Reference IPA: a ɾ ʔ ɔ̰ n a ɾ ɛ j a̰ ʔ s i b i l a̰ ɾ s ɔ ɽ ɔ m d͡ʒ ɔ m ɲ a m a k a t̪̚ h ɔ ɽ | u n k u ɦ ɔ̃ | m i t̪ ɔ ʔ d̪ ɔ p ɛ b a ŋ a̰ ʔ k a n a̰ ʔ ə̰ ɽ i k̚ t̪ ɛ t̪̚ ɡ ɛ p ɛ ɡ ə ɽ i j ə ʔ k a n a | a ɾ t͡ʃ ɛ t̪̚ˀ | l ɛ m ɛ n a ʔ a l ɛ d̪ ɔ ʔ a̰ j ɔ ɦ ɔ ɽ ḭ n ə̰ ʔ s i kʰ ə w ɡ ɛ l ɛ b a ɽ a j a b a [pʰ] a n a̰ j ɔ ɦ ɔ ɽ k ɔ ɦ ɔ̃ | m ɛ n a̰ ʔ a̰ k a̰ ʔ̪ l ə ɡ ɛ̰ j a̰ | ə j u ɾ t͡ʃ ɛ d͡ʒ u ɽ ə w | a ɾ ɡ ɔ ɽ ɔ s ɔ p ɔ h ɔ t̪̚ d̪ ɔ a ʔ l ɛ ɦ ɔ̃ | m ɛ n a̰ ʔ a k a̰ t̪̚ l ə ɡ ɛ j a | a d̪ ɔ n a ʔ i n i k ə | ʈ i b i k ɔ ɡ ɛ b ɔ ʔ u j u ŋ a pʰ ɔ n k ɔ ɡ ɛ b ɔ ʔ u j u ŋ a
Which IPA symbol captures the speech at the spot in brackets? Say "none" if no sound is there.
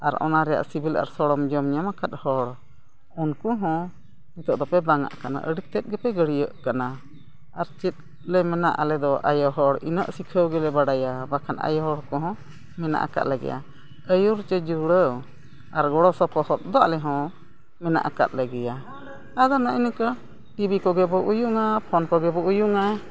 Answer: kʰ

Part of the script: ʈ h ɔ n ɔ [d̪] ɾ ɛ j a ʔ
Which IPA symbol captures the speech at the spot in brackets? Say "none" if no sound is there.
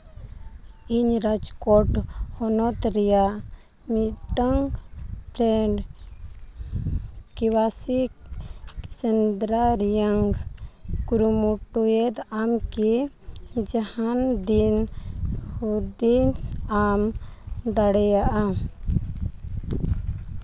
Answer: t̪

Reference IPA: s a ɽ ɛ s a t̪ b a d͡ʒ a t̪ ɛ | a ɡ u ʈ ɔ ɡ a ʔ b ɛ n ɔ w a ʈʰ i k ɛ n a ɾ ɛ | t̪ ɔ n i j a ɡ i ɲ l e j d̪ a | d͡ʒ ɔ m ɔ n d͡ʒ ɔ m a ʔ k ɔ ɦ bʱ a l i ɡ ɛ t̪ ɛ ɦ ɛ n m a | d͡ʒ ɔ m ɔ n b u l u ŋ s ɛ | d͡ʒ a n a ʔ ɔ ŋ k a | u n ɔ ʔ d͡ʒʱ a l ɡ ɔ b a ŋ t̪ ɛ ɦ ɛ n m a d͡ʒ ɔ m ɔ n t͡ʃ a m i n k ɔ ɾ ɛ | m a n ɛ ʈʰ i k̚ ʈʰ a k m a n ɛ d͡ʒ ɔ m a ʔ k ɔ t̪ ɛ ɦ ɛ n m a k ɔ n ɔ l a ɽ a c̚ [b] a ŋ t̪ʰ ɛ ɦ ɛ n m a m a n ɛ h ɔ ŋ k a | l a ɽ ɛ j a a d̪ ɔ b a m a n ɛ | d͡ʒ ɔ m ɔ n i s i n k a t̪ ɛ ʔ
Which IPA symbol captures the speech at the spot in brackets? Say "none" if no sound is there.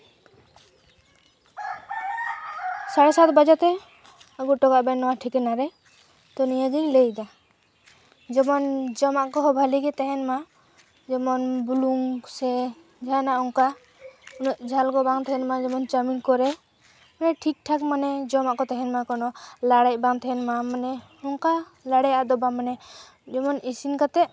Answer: b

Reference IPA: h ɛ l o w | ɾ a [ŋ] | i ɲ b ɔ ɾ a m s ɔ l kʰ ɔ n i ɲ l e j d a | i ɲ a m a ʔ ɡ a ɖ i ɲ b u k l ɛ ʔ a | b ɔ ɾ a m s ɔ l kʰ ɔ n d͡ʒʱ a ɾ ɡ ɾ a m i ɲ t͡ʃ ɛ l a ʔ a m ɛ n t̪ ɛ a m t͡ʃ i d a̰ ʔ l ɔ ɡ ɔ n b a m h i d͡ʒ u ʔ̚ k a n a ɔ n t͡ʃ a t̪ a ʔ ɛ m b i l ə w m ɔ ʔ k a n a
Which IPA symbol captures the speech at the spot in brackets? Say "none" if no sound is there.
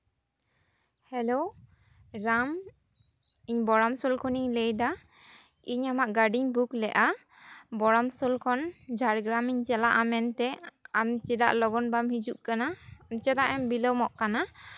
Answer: m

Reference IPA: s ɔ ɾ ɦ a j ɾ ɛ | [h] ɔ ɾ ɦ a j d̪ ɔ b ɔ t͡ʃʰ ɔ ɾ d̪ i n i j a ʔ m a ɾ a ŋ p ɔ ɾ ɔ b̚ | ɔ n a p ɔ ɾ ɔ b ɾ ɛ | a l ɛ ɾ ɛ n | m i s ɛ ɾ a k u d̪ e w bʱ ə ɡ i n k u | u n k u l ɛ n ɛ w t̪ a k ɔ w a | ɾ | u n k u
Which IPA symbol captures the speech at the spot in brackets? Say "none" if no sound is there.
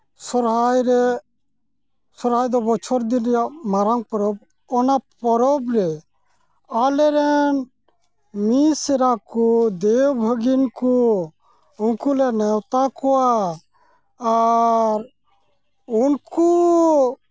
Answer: s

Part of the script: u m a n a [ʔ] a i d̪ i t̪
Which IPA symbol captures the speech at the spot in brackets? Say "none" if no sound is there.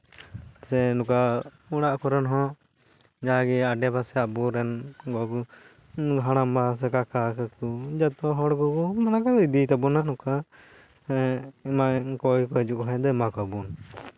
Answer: k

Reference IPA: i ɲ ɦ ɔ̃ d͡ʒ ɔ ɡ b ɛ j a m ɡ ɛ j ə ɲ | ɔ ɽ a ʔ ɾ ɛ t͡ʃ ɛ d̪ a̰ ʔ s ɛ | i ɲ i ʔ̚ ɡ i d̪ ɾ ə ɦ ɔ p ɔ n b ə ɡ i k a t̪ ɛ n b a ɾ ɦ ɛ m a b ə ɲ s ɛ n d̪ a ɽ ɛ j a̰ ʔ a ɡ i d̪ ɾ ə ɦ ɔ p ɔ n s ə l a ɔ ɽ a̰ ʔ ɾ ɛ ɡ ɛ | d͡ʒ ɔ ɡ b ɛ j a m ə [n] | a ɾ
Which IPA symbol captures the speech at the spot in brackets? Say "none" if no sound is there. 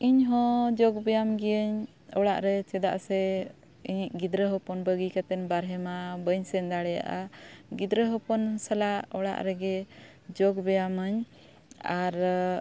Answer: ɲ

